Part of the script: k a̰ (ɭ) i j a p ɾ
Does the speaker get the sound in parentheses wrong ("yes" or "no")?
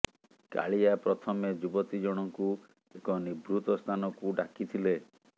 no